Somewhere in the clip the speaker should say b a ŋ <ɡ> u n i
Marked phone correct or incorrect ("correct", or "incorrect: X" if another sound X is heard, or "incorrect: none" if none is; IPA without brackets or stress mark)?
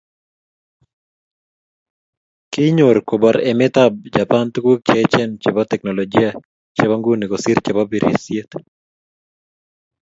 correct